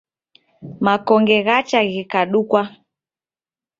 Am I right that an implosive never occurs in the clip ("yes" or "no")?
no